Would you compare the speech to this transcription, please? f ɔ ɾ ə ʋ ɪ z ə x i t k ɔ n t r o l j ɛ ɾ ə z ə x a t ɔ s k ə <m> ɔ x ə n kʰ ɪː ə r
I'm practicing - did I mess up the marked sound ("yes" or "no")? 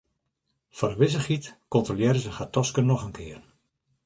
yes